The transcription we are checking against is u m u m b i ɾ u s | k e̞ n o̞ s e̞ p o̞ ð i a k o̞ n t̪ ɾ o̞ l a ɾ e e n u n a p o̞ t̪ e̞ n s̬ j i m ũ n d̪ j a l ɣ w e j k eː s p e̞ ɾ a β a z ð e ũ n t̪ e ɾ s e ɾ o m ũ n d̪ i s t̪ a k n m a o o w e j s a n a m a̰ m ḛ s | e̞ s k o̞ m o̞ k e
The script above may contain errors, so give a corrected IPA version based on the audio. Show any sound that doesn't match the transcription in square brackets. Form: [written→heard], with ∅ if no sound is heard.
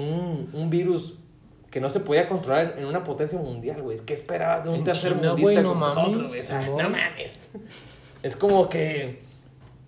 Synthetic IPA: u [m→n] u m b i ɾ u s | k e̞ n o̞ s e̞ p o̞ ð i a k o̞ n t̪ ɾ o̞ l a ɾ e e n u n a p o̞ t̪ e̞ n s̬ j [i→a] m ũ n d̪ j a l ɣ w e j k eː s p e̞ ɾ a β a z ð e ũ n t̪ e ɾ s e ɾ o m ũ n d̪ i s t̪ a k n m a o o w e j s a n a m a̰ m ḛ s | e̞ s k o̞ m o̞ k e